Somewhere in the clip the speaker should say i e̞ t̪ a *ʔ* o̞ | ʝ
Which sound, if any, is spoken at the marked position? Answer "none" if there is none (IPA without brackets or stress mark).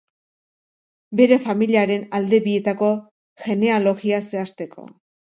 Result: k